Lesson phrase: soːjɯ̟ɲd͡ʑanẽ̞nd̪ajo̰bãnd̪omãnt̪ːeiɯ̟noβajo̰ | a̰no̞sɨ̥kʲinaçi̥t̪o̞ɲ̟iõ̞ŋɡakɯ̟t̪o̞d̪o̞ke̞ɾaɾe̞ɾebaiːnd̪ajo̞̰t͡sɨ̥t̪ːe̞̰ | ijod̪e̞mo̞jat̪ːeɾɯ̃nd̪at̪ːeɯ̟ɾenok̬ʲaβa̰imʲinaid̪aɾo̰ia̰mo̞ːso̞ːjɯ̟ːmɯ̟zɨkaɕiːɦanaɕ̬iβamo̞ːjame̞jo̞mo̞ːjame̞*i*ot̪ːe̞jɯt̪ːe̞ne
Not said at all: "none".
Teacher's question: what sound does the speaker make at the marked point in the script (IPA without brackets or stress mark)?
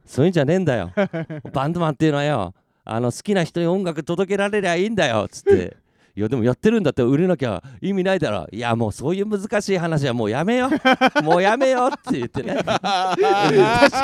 j